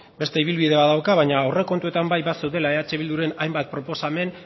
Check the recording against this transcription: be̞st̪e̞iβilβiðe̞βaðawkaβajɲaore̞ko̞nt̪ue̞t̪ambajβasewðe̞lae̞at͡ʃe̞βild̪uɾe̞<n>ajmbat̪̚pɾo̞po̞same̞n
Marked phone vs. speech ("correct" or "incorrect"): correct